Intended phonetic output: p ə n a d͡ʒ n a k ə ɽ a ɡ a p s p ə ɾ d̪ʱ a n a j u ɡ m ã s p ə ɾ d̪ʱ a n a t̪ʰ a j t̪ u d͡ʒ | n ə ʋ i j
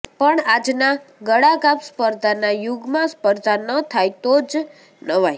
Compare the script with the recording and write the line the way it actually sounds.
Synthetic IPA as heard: p ə ɳ a d͡ʒ n a ɡ ə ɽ a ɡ a p s p ə ɾ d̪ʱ a n a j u ɡ m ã s p ə ɾ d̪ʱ a n ə t̪ʰ a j t̪ o d͡ʒ | n ə ʋ a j